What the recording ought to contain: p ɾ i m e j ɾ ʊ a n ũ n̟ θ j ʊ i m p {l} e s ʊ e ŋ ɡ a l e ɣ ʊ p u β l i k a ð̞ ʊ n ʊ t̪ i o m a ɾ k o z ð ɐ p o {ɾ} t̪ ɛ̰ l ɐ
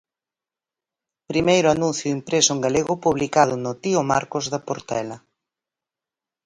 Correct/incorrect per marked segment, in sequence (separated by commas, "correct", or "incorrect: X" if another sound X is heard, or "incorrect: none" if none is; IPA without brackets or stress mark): incorrect: ɾ, correct